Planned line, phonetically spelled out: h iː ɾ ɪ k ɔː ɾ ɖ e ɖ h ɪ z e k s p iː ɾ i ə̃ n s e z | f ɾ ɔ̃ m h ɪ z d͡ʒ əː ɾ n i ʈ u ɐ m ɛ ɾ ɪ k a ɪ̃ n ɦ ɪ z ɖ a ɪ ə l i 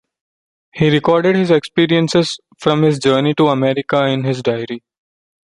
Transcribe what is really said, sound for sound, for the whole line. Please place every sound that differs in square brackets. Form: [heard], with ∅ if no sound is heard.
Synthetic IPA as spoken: h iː ɾ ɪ k ɔː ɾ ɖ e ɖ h ɪ z e k s p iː ɾ i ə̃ n s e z | f ɾ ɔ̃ m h ɪ z d͡ʒ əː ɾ n i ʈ u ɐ m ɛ ɾ ɪ k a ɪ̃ n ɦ ɪ z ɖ a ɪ ə [ɾ] i